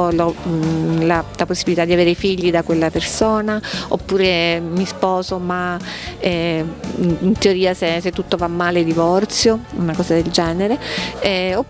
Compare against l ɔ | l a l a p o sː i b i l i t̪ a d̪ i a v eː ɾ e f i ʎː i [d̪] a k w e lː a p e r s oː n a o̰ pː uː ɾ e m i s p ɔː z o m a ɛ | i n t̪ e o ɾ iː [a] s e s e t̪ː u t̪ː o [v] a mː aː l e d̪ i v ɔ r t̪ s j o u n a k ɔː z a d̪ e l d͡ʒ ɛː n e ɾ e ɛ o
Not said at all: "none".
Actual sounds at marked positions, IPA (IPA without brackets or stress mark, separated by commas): d̪, a, v